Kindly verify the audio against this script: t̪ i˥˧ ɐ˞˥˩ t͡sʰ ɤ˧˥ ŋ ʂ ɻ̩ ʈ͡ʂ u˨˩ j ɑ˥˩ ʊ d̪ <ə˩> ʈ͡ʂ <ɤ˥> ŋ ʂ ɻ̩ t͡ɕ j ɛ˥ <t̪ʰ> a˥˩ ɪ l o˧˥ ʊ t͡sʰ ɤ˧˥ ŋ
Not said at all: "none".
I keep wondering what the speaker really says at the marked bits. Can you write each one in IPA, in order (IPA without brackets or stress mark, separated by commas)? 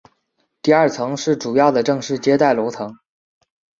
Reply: ə˩, ɤ˥˧, t̪